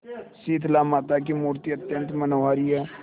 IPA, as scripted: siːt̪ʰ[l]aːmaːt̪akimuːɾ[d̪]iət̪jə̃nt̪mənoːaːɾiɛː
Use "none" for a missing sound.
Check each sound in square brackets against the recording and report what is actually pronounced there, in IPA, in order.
l, t̪

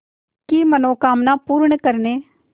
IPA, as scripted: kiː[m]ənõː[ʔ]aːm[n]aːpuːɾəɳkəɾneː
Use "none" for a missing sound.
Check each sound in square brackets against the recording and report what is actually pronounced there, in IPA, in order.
m, k, n

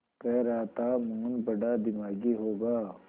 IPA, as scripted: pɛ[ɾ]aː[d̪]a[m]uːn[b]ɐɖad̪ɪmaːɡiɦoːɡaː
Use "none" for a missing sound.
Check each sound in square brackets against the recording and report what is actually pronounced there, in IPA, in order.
ɾ, t̪, m, b

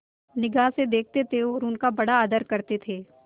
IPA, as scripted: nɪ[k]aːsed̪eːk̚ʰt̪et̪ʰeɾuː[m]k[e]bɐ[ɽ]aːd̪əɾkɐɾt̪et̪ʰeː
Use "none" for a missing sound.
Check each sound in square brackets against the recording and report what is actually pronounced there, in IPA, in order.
ɡ, n, a, ɽ

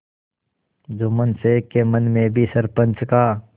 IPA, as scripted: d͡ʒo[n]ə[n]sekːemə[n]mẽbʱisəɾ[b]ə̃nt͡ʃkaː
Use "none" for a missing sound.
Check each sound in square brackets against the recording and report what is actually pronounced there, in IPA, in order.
m, n, n, p

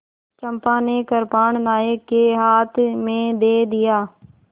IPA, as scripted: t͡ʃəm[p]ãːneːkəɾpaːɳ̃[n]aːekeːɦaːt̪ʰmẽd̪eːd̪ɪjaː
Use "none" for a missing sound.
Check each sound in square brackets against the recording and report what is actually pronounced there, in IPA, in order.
p, n

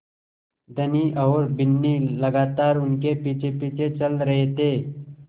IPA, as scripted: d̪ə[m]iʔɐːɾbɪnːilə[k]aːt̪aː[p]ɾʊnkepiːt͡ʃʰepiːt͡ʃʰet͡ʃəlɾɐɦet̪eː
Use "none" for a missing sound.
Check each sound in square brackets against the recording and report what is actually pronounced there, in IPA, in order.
n, ɡ, none

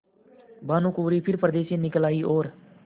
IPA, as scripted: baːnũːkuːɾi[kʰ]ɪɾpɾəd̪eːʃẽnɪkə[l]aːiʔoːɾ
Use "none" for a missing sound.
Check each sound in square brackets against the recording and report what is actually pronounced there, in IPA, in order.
pʰ, l

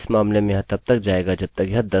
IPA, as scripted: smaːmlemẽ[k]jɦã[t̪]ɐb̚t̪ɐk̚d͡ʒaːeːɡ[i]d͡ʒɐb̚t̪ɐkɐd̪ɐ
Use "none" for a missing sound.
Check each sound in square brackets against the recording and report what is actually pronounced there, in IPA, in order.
none, t̪, a

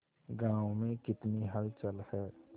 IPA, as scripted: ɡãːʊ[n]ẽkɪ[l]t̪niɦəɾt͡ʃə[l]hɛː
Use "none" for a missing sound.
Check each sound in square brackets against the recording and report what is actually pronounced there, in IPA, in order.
m, none, l

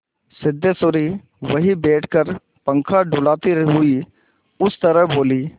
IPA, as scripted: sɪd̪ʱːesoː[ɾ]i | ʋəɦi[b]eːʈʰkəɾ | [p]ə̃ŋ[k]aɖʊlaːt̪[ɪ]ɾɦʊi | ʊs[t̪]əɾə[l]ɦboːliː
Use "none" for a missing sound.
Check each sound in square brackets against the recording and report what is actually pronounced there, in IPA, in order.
ɾ, b, p, kʰ, i, t̪, none

